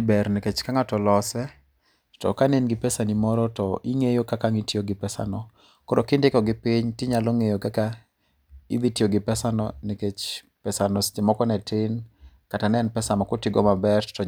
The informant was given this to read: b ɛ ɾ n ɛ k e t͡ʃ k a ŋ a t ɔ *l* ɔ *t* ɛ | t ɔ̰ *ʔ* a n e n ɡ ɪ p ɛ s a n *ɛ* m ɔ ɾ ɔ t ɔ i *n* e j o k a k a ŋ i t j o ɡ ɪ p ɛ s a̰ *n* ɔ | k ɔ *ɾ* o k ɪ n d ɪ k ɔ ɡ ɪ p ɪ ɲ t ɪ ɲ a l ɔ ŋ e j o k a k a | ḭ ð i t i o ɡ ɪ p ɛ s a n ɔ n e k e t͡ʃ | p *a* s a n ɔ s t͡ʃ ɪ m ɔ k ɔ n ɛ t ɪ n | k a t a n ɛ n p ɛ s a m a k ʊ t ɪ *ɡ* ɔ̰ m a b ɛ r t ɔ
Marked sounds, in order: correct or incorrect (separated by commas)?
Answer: correct, incorrect, incorrect, incorrect, incorrect, correct, correct, incorrect, correct